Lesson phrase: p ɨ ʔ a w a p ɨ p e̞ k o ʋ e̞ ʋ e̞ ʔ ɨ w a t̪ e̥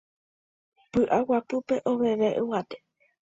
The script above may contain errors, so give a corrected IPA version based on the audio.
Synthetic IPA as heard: p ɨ ʔ a w a p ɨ p e̞ ʔ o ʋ e̞ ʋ e̞ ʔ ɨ w a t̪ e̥